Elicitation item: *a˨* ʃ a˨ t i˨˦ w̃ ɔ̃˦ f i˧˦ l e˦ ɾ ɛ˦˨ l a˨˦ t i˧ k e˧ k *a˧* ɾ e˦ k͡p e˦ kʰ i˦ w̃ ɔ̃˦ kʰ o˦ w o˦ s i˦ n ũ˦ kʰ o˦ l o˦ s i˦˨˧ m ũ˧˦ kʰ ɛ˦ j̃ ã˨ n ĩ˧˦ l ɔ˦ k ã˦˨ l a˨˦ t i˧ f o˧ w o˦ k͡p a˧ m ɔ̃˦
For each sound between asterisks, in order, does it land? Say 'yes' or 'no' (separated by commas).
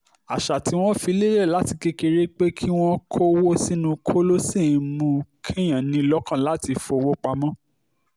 yes, no